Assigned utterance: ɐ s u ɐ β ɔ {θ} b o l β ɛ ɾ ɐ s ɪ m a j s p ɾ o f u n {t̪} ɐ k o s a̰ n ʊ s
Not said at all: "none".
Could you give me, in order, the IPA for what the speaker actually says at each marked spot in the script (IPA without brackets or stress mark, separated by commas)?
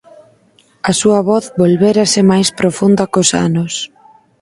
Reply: θ, d̪